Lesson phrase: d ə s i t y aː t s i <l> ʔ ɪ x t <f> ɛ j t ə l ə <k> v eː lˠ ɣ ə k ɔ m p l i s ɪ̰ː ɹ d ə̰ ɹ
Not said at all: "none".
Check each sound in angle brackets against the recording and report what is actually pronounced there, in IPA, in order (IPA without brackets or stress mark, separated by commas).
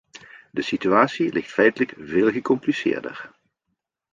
l, f, k